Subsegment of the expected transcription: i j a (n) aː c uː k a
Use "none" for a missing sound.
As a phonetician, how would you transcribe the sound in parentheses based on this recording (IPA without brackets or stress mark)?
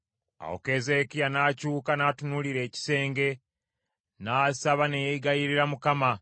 n